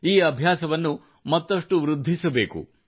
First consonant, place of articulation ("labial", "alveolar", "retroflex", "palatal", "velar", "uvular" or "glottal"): labial